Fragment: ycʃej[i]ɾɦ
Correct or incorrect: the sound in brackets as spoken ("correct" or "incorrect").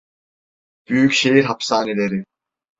correct